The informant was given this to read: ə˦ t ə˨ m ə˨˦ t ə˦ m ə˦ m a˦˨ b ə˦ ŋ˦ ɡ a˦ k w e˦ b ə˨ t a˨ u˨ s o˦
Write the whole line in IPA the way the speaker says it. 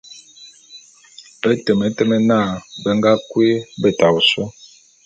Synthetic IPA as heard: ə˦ t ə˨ m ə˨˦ t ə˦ m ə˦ n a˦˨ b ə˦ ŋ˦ ɡ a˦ k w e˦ b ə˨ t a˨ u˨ s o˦